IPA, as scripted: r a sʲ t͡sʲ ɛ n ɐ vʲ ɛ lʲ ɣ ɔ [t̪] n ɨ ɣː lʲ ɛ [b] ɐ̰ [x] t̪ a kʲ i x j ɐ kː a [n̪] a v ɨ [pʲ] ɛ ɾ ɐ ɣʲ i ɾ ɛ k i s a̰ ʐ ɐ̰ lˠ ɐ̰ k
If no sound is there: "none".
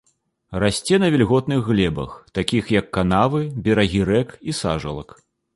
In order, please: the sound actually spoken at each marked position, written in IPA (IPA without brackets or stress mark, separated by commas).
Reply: t̪, b, x, n̪, bʲ